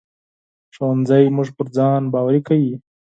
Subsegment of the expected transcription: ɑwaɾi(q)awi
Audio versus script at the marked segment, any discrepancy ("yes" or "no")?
yes